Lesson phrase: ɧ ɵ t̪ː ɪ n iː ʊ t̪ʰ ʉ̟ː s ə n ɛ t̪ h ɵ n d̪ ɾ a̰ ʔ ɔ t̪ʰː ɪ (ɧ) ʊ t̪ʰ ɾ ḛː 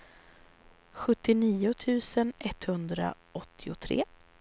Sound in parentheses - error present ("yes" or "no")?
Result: yes